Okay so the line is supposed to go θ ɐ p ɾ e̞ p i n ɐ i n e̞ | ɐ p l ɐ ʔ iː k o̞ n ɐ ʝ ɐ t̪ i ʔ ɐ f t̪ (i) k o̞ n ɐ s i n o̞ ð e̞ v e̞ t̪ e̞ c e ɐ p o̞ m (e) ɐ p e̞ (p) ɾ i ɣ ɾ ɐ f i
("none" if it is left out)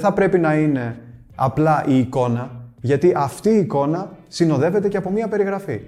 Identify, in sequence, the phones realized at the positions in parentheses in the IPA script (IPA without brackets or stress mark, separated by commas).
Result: iː, i, none